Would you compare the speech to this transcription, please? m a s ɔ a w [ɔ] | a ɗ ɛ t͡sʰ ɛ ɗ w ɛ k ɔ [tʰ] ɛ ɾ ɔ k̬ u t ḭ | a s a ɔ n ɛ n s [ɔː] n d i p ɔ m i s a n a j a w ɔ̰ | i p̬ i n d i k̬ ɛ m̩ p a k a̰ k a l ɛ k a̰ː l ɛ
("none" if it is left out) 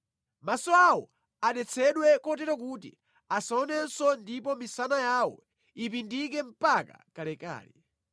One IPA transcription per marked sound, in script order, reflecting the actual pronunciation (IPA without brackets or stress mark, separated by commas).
ɔ, t, ɔ